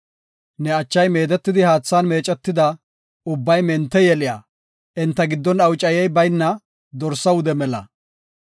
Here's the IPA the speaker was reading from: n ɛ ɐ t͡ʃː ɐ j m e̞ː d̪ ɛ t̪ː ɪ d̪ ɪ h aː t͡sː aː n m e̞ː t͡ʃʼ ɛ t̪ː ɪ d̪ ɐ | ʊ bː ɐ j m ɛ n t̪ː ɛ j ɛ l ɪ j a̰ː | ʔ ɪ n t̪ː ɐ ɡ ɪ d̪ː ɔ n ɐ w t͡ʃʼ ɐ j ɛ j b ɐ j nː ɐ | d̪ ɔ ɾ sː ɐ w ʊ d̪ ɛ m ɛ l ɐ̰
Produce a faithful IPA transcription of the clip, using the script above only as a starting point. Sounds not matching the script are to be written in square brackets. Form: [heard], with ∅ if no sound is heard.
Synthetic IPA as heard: n ɛ ɐ t͡ʃː ɐ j m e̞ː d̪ ɛ t̪ː ɪ d̪ ɪ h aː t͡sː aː n m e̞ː t͡ʃʼ ɛ t̪ː ɪ d̪ ɐ | ʊ bː ɐ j m ɛ n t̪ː ɛ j ɛ l ɪ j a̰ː | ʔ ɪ n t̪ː ɐ ɡ ɪ d̪ː ɔ n ɐ w t͡ʃʼ ɐ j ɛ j b ɐ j nː ɐ | d̪ ɔ ɾ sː ɐ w ʊ d̪ ɛ m ɛ l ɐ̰